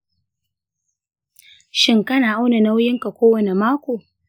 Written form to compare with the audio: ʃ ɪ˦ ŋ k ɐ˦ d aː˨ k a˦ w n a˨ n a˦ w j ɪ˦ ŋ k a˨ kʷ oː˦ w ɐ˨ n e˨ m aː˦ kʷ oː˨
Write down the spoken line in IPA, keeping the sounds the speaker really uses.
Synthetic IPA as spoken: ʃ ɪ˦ ŋ k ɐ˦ n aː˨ ʔ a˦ w n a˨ n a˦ w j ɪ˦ ŋ k a˨ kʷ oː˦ w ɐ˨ n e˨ m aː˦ kʷ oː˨